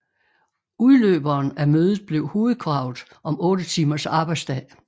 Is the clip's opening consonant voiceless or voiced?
voiced